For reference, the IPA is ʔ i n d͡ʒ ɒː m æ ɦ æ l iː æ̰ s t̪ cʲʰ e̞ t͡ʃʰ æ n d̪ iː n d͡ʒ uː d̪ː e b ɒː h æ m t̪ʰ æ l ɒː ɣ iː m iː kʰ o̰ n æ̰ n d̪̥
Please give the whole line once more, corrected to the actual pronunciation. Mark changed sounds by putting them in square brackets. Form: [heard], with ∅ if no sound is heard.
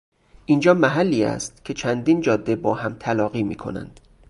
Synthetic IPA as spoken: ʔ i n d͡ʒ ɒː m æ ɦ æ [lː] iː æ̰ s t̪ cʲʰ e̞ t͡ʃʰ æ n d̪ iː n d͡ʒ [ɒː] d̪ː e b ɒː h æ m t̪ʰ æ l ɒː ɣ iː m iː kʰ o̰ n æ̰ n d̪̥